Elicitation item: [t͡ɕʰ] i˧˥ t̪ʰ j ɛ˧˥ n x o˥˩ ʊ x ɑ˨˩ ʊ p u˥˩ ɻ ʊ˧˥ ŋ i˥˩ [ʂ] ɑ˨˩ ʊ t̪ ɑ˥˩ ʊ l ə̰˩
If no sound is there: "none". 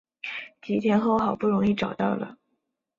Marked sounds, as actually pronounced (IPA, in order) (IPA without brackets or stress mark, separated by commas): t͡ɕ, ʈ͡ʂ